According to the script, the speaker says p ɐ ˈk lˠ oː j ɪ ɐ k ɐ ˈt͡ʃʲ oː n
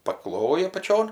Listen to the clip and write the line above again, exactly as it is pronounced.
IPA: p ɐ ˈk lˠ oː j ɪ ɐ p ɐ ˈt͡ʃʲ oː n